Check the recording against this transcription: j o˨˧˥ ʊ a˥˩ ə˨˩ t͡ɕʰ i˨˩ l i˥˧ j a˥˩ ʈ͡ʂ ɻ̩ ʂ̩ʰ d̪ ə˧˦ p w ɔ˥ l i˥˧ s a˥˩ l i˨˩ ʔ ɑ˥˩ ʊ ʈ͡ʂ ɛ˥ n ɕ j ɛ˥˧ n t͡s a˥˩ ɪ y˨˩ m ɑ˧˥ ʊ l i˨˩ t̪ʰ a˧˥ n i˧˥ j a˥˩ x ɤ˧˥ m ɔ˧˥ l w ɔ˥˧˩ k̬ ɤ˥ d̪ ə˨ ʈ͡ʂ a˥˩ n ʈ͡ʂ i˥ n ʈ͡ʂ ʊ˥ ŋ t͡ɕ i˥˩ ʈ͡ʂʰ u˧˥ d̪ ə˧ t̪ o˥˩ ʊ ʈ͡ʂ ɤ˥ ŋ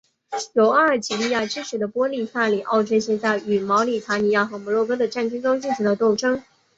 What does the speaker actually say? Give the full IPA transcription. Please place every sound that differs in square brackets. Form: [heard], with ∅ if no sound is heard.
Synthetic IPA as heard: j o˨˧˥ ʊ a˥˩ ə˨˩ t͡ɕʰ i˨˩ l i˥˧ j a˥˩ ʈ͡ʂ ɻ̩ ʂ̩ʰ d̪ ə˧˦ p w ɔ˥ l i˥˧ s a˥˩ l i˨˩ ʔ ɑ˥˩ ʊ ʈ͡ʂ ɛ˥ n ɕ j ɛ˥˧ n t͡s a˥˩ ɪ y˨˩ m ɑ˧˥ ʊ l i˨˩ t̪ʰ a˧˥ n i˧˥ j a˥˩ x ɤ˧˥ m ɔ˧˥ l w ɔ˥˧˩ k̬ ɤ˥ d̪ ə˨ ʈ͡ʂ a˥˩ n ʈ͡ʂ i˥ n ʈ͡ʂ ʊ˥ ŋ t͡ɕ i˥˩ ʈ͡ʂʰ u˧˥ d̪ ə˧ t̪ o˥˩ ʊ ʈ͡ʂ ɤ˥ ŋ